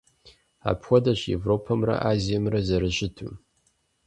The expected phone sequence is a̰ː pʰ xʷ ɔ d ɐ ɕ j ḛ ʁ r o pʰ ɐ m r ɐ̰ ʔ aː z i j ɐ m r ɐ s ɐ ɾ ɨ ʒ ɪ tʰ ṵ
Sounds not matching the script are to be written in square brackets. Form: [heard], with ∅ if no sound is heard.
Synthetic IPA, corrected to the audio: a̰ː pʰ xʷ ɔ d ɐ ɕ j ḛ [v] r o pʰ ɐ m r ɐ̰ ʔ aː z i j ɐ m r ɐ [z] ɐ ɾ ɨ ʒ ɪ tʰ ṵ